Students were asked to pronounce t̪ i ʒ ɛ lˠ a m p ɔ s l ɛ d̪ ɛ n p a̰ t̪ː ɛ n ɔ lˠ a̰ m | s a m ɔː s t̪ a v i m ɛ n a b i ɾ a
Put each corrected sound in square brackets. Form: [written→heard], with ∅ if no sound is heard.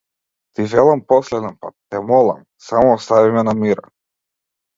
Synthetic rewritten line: t̪ i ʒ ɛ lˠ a m p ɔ s l ɛ d̪ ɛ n p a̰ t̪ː ɛ [n→m] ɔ lˠ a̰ m | s a m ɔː s t̪ a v i m ɛ n a [b→m] i ɾ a